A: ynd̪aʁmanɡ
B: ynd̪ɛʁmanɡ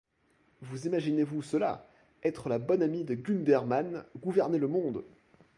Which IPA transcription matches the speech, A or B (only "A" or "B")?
B